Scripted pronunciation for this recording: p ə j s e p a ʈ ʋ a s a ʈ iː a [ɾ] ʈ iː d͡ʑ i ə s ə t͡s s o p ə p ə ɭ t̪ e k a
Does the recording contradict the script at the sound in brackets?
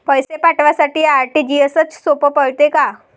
no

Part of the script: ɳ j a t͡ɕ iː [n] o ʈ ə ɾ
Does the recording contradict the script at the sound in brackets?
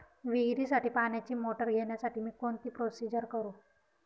yes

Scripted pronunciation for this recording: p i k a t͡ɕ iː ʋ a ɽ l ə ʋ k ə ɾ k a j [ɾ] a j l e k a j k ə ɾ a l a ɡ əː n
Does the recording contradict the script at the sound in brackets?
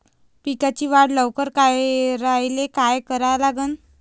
no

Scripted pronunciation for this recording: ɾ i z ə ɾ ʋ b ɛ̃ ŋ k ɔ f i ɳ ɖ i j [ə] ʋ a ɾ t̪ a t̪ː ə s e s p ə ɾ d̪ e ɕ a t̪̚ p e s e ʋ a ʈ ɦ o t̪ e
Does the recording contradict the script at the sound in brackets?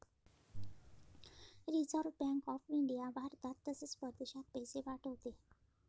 yes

